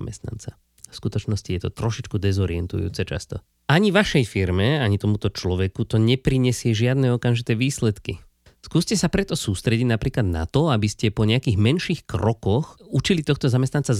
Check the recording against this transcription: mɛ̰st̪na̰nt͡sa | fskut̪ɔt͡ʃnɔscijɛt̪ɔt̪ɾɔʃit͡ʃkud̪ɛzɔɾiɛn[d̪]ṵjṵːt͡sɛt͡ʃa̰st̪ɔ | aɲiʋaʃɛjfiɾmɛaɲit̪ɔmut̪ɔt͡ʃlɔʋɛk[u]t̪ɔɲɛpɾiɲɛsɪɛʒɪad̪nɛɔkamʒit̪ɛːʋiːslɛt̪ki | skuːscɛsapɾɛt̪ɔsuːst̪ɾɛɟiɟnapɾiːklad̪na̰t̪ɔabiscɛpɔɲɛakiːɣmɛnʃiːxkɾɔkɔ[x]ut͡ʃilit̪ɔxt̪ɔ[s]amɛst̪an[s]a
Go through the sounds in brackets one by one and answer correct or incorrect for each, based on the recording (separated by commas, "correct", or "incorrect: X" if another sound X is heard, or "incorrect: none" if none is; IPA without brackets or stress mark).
incorrect: t̪, correct, correct, incorrect: z, incorrect: t͡s